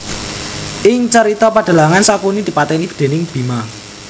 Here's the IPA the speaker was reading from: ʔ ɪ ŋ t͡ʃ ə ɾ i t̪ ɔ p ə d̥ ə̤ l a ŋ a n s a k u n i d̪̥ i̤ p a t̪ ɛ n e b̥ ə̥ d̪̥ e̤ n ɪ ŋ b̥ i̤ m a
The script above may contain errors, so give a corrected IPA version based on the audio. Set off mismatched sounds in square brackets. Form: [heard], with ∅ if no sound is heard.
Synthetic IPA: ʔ ɪ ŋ t͡ʃ ə ɾ i t̪ ɔ p [a] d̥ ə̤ l a ŋ a n s a k u n i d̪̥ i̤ p a t̪ ɛ n [i] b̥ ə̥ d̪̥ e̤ n ɪ ŋ b̥ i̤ m a